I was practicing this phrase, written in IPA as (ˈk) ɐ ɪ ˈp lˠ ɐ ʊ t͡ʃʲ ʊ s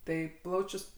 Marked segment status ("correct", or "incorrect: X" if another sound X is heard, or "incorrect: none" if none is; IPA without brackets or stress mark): incorrect: t